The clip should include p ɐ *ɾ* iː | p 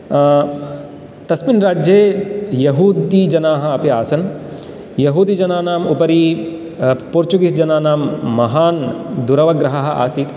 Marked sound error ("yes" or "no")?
no